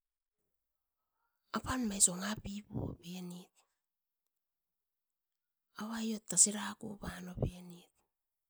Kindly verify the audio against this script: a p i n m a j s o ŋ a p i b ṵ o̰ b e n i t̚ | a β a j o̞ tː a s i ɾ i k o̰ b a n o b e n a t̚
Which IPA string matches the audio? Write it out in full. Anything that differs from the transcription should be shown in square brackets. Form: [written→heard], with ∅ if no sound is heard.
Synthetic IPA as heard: a p [i→a] n m a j s o ŋ a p i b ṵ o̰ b e n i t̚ | a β a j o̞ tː a s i ɾ [i→a] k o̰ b a n o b e n [a→i] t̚